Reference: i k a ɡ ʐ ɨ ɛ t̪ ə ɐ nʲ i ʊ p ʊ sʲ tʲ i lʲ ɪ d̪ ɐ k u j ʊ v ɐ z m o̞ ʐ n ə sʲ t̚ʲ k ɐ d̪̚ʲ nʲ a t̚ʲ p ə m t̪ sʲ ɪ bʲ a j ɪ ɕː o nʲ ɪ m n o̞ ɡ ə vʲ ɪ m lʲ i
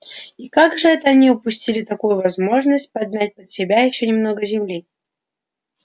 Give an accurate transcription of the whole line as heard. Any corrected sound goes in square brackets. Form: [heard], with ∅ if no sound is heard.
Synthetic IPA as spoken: i k a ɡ ʐ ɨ ɛ t̪ ə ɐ nʲ i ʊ p ʊ sʲ tʲ i lʲ ɪ [t̪] ɐ k u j ʊ v ɐ z m o̞ ʐ n ə sʲ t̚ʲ [p] ɐ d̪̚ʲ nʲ a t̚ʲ p ə [∅] t̪ sʲ ɪ bʲ a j ɪ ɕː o nʲ ɪ m n o̞ ɡ ə [zʲ] ɪ m lʲ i